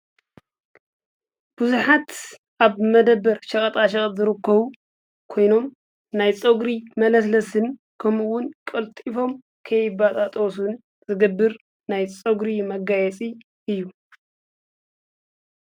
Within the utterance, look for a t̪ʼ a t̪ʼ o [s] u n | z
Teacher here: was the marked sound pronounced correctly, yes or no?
yes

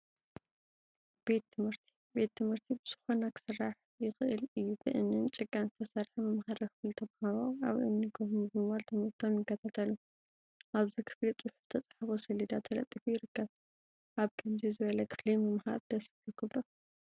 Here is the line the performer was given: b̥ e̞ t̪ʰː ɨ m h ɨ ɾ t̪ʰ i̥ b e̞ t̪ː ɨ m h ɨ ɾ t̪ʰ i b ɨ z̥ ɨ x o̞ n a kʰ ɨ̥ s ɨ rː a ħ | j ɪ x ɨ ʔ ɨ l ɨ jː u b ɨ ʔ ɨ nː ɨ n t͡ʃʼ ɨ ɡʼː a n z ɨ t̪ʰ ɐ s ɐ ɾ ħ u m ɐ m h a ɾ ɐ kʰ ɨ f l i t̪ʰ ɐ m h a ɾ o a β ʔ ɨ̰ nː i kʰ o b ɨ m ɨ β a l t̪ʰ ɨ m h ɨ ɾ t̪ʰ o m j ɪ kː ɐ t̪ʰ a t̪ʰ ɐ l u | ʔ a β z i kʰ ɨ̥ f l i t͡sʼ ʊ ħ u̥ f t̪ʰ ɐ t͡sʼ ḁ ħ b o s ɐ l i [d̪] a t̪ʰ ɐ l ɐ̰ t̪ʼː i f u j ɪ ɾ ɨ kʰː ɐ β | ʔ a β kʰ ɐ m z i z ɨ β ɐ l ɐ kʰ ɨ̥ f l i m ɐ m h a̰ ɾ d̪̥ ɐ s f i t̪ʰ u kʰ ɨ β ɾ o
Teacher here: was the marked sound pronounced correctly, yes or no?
yes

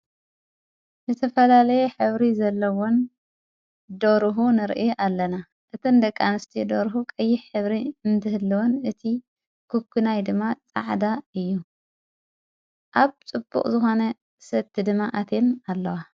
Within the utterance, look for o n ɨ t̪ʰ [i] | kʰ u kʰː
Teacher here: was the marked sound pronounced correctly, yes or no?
yes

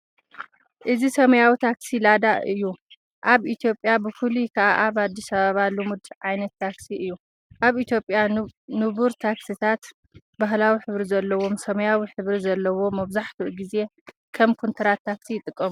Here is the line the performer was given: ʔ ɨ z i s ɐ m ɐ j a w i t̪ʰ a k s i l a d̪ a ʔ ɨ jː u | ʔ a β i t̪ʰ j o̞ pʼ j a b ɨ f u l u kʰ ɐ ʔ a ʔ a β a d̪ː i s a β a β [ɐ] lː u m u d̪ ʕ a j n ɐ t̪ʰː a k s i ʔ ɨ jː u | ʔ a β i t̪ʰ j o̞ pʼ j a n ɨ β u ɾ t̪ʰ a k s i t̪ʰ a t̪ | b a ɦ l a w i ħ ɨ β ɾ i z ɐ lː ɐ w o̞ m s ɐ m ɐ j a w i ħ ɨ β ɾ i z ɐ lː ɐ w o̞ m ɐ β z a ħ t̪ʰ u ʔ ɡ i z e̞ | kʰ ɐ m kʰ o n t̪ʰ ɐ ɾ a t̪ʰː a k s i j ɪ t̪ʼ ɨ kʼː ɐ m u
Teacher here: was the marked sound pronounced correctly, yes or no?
no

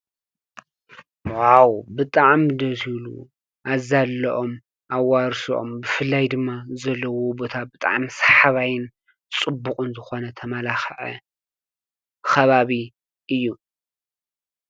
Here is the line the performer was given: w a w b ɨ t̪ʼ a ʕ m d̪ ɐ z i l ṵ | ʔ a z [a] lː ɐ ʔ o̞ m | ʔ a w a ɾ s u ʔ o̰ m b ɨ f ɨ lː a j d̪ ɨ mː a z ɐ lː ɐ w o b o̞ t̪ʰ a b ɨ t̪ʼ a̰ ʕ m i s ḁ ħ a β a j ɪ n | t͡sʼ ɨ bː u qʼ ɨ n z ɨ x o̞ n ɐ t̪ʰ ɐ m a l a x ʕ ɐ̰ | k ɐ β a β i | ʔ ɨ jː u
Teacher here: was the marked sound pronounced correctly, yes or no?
yes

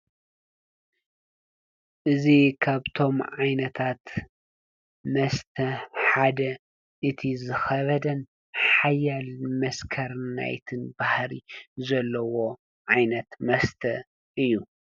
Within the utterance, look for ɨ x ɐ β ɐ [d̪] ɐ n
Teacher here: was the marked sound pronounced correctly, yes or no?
yes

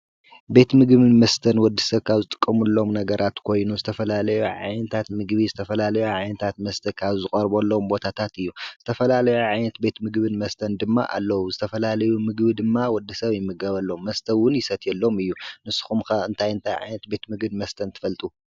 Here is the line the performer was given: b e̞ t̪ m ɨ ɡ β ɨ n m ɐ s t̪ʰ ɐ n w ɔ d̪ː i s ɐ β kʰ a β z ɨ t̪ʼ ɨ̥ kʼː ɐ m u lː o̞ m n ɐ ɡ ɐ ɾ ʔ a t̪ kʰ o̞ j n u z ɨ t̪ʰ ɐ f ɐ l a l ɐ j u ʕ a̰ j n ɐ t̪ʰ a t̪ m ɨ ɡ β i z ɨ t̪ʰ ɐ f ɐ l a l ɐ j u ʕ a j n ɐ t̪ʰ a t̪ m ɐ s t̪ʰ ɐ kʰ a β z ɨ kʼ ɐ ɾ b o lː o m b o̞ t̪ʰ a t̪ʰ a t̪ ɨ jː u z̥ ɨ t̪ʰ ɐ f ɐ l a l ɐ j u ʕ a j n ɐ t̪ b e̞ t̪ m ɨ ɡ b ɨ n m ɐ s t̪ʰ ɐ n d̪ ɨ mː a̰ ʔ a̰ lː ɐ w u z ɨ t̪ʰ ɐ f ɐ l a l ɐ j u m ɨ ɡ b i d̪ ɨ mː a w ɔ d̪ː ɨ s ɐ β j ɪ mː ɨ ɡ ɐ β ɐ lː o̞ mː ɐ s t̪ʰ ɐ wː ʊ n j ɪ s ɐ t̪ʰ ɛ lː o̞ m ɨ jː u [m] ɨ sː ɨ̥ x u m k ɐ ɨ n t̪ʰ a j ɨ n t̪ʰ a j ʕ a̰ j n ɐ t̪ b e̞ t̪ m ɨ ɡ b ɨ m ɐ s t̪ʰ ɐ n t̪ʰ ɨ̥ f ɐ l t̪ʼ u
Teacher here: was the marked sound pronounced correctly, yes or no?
no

